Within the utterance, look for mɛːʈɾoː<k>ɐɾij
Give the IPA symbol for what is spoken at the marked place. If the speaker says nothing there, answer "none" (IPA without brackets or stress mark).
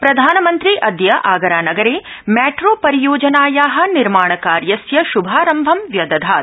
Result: p